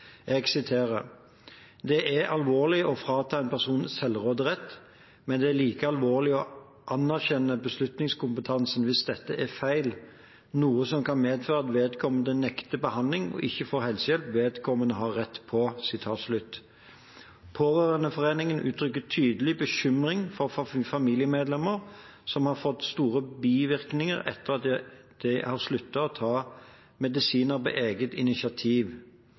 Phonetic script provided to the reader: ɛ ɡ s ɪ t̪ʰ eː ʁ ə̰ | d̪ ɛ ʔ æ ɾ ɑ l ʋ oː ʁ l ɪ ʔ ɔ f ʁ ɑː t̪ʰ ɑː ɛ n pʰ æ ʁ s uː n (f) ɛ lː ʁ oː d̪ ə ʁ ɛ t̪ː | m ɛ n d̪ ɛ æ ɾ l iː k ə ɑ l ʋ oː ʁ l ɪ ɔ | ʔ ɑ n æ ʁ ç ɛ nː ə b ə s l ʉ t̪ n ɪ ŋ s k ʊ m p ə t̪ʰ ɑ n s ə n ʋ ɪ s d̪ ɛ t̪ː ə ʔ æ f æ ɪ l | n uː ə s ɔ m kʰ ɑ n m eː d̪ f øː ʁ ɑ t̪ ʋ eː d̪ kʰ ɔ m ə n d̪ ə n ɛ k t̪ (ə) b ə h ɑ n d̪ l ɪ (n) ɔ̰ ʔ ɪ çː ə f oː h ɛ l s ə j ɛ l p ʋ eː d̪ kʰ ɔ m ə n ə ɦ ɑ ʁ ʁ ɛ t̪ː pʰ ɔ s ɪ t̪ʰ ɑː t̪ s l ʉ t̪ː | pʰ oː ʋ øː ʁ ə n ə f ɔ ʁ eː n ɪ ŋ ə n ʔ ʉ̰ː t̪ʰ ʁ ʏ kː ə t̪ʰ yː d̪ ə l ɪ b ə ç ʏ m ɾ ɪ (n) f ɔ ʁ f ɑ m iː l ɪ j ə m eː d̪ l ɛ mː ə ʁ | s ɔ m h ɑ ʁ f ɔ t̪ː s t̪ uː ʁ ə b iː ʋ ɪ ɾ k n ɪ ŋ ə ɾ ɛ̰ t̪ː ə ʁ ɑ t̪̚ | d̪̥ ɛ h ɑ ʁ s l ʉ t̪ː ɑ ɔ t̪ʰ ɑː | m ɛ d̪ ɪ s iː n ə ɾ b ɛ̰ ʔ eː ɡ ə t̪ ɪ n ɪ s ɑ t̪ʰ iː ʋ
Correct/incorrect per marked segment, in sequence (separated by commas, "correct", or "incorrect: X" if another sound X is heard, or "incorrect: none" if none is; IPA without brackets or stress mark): incorrect: s, correct, incorrect: ŋ, incorrect: ŋ